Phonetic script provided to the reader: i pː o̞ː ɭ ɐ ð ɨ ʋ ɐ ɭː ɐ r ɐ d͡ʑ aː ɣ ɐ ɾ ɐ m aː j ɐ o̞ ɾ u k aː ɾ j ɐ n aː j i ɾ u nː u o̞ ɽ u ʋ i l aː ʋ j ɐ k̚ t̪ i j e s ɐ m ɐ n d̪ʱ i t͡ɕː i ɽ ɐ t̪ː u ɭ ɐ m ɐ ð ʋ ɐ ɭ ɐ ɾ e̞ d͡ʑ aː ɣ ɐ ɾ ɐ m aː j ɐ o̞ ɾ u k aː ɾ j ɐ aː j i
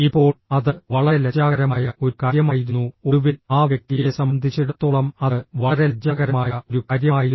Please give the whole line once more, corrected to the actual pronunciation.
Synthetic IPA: i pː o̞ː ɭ ɐ ð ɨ ʋ ɐ ɭ ɐ l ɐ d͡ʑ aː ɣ ɐ ɾ ɐ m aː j ɐ o̞ ɾ u k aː ɾ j ɐ m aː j i ɾ u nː u o̞ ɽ u ʋ i l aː ʋ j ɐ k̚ t̪ i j e s ɐ m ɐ n d̪ʱ i t͡ɕː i ɽ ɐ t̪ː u ɭ ɐ m ɐ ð ʋ ɐ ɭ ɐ ɾ e̞ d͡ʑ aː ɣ ɐ ɾ ɐ m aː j ɐ o̞ ɾ u k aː ɾ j ɐ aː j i